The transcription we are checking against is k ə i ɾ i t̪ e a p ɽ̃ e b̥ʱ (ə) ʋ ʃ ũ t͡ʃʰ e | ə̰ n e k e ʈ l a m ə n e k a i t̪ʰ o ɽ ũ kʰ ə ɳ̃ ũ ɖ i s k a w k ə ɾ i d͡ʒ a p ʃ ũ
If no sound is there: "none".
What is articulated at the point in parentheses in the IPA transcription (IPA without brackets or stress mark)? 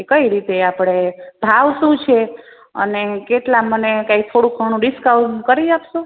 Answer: a